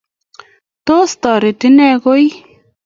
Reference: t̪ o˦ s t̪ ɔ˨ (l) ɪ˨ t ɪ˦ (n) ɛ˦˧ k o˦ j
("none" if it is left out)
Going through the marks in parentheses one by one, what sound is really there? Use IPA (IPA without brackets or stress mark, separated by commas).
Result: ɾ, n